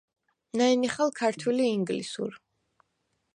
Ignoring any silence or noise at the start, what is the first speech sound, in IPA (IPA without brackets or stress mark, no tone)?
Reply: n